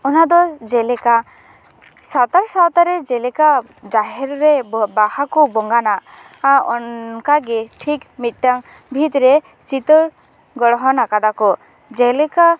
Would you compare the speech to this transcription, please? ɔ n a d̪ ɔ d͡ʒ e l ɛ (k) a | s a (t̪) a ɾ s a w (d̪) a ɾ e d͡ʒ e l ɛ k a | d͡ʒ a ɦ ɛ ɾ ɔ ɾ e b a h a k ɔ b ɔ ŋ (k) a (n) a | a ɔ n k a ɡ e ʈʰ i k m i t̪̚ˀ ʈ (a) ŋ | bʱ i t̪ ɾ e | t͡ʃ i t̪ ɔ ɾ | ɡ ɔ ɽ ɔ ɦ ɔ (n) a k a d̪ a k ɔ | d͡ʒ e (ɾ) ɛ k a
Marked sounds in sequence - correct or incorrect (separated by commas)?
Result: correct, correct, incorrect, incorrect, correct, correct, correct, incorrect